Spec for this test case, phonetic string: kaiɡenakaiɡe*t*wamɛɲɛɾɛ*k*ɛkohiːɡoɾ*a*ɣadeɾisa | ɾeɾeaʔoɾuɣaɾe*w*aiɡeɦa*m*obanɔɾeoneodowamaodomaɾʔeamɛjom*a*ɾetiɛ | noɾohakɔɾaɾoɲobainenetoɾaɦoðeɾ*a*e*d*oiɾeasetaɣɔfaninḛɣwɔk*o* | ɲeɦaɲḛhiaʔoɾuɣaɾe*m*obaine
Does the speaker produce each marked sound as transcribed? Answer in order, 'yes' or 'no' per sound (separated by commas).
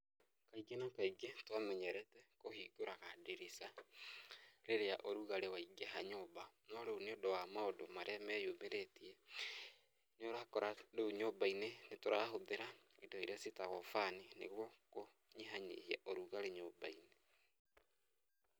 yes, no, yes, yes, no, no, yes, yes, yes, no